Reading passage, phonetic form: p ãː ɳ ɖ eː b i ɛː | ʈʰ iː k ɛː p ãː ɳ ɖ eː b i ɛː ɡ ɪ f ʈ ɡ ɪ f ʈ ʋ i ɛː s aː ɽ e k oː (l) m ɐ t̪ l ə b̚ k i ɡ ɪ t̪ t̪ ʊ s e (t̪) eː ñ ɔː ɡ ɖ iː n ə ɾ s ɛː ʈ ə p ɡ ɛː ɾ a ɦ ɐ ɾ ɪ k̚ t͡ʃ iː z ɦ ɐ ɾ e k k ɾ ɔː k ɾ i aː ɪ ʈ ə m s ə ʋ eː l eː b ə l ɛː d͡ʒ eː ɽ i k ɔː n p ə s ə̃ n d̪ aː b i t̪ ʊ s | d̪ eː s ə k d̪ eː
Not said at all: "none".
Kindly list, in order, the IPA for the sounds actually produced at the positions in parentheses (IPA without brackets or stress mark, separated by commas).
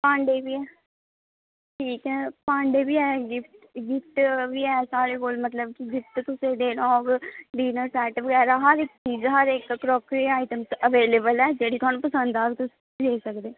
l, d̪